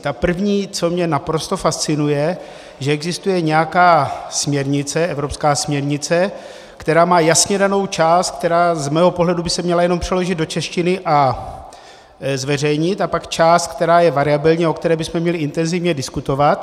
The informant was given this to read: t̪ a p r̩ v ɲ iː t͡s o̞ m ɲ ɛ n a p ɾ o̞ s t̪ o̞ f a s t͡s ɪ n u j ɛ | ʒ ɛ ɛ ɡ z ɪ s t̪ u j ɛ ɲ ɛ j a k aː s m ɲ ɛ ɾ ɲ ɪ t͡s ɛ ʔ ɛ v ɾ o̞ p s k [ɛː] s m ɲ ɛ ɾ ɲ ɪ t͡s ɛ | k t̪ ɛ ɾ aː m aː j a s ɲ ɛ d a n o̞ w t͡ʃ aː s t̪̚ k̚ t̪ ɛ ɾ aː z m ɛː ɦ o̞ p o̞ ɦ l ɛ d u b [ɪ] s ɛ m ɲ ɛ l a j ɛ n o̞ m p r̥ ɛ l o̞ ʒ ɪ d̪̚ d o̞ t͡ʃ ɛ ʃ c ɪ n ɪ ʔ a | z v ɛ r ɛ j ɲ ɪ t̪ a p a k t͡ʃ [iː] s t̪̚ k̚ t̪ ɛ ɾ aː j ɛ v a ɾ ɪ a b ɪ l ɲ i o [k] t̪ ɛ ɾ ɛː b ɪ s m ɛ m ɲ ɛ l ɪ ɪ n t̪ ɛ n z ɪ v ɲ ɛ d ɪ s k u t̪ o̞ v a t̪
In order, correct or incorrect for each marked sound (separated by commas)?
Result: incorrect, correct, incorrect, correct